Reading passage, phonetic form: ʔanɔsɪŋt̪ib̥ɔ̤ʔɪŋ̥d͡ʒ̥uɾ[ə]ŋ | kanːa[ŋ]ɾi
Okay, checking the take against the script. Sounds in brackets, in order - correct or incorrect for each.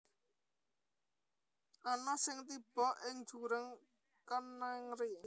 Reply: correct, correct

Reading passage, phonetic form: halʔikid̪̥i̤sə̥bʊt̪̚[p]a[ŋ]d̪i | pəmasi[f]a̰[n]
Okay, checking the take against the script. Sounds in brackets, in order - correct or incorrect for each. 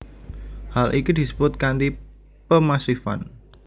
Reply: incorrect, incorrect, correct, correct

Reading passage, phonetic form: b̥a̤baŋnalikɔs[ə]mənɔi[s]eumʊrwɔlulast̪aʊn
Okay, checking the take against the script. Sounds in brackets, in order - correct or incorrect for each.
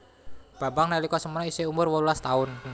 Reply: correct, correct

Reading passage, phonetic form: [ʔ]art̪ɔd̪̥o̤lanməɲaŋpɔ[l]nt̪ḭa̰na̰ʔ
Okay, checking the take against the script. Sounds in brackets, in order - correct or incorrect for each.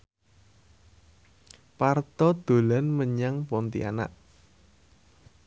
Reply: incorrect, incorrect

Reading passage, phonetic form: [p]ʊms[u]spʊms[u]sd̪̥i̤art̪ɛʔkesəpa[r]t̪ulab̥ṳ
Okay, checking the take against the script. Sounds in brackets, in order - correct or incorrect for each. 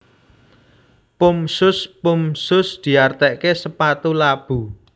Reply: correct, incorrect, incorrect, incorrect

